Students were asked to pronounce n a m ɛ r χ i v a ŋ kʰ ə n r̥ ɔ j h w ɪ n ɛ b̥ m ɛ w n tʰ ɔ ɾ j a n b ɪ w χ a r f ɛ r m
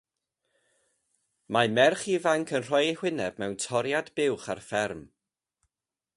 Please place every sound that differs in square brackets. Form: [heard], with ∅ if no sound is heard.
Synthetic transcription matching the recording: [m] a m ɛ r χ i v a ŋ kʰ ə n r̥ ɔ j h w ɪ n ɛ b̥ m ɛ w n tʰ ɔ ɾ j a [d] b ɪ w χ a r f ɛ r m

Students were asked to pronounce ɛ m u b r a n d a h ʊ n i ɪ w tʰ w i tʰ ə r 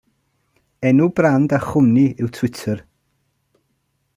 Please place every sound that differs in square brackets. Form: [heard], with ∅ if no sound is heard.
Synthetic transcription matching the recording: ɛ [n] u b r a n d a [χ] ʊ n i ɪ w tʰ w [ɪ] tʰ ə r

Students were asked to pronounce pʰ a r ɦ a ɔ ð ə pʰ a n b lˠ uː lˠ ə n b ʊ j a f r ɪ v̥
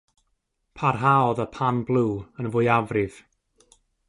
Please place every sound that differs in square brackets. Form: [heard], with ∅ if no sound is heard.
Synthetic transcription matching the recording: pʰ a r ɦ a ɔ ð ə pʰ a n b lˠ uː [∅] ə n [v] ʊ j a [v] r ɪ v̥

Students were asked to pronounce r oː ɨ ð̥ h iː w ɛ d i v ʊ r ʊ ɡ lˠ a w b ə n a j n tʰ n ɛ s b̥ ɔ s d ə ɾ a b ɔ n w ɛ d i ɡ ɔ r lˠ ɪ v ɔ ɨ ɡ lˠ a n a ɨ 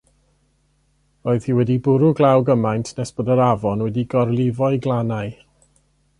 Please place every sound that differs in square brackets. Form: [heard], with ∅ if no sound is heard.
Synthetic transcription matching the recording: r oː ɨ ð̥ h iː w ɛ d i [b] ʊ [ɾ] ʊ ɡ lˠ a w [ɡ] ə [m] a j n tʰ n ɛ s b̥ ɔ [∅] d ə ɾ a [v] ɔ n w ɛ d i ɡ ɔ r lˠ ɪ v ɔ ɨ ɡ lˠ a n a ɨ

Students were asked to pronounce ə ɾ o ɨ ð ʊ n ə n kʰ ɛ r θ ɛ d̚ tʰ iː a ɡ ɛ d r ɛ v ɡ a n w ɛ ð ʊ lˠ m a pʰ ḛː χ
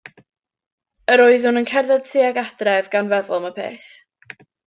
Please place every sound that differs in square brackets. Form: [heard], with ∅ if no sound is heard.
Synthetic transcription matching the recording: ə ɾ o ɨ ð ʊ n ə n kʰ ɛ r [ð] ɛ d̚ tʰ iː a ɡ [a] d r ɛ v ɡ a n [v] ɛ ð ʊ lˠ m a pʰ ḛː [θ]

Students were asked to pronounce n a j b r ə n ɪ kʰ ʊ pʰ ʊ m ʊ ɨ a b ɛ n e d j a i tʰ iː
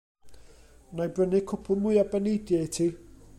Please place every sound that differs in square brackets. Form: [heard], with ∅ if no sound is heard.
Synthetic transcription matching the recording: n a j b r ə n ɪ kʰ ʊ pʰ ʊ m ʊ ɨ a b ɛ n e d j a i tʰ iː

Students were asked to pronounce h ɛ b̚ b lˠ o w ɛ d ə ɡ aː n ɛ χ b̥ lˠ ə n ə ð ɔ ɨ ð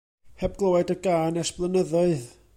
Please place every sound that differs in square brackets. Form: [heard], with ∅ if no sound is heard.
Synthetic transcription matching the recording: h ɛ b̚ [ɡ] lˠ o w ɛ d ə ɡ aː n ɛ [s] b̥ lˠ ə n ə ð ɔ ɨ ð

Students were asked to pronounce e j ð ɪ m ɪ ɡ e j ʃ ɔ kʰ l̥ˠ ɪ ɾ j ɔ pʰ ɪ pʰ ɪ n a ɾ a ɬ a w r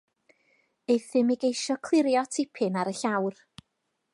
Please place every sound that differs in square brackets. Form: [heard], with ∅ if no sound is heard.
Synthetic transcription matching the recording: e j [θ] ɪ m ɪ ɡ e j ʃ ɔ kʰ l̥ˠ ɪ ɾ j ɔ [tʰ] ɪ pʰ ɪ n a ɾ [ə] ɬ a w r

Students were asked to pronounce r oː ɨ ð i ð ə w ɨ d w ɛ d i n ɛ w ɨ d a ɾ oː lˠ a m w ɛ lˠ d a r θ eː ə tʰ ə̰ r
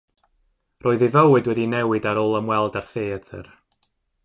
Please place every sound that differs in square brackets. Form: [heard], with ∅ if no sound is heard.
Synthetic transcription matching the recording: r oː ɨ ð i [v] ə w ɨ d w ɛ d i n ɛ w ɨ d a ɾ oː lˠ [ə] m w ɛ lˠ d a r θ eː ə tʰ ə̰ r

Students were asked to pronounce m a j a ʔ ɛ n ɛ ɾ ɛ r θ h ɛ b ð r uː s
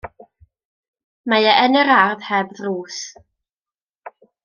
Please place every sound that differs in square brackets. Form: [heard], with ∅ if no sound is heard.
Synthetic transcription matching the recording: m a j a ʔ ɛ n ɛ ɾ [a] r [ð] h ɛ b ð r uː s

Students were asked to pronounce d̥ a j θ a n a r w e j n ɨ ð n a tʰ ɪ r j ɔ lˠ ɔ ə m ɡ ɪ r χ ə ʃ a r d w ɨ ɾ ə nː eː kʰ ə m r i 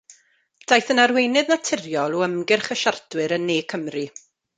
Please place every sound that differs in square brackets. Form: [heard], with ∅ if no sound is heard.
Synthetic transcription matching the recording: d̥ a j θ [ə] n a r w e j n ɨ ð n a tʰ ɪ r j ɔ lˠ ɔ ə m ɡ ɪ r χ ə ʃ a r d w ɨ ɾ ə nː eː kʰ ə m r i

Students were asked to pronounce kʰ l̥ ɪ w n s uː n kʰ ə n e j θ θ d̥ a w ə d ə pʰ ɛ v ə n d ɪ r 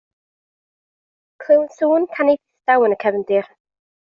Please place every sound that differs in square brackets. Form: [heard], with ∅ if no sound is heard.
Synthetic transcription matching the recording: kʰ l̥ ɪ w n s uː n kʰ [a] n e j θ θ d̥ a w ə [n] ə [kʰ] ɛ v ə n d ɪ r

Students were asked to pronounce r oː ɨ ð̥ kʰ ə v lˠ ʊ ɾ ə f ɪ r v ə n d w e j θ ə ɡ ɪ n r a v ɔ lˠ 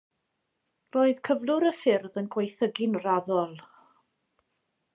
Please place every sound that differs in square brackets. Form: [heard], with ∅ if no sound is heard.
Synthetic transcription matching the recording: r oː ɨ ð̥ kʰ ə v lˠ ʊ ɾ ə f ɪ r [ð] ə n [ɡ] w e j θ ə ɡ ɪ n r a [ð] ɔ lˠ

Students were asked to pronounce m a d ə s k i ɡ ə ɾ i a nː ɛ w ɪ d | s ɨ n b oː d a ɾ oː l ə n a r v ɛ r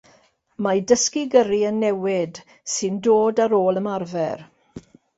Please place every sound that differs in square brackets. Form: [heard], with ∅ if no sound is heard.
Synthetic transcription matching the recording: m a d ə s k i ɡ ə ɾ i [ə] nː ɛ w ɪ d | s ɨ n [d] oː d a ɾ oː l ə [m] a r v ɛ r

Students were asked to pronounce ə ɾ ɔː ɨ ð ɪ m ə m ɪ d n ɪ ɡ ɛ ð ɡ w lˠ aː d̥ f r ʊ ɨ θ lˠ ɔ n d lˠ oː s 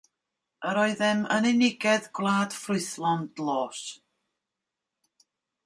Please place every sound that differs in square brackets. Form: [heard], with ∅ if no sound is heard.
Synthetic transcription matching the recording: ə ɾ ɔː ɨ ð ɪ m ə [n] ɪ [∅] n ɪ ɡ ɛ ð ɡ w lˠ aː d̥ f r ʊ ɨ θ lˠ ɔ n d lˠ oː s

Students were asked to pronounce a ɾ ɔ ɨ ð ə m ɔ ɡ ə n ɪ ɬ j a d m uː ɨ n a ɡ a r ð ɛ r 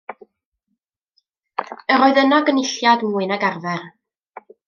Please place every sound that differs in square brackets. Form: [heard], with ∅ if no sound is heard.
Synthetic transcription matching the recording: [ə] ɾ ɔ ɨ ð ə [n] ɔ ɡ ə n ɪ ɬ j a d m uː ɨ n a ɡ a r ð ɛ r

